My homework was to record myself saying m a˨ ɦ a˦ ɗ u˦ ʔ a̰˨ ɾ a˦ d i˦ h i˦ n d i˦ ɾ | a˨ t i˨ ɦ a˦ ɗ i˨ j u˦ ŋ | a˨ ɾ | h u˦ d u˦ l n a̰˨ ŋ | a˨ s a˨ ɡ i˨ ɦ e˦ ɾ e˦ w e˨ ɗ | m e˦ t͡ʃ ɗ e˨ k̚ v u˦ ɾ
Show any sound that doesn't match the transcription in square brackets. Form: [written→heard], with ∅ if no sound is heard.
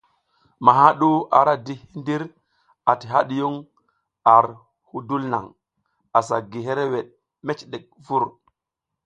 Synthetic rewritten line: m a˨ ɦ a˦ ɗ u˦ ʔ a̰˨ ɾ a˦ d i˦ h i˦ n d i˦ ɾ | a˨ t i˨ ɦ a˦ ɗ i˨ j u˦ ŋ | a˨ ɾ | h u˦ d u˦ l n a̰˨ ŋ | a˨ s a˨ ɡ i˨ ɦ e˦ ɾ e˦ w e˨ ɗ | m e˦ t͡ʃ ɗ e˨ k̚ v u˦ ɾ